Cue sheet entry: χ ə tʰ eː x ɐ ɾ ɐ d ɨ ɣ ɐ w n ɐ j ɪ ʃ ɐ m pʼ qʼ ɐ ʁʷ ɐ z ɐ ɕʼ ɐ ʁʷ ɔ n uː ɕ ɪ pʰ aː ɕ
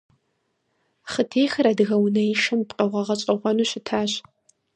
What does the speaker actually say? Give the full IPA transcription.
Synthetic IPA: χ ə tʰ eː x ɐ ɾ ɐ d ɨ ɣ ɐ w n ɐ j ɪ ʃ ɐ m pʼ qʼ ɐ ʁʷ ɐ ʁ ɐ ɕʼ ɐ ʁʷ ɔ n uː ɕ ɪ tʰ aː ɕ